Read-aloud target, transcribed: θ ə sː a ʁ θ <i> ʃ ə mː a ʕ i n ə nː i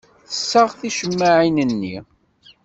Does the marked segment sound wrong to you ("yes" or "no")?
no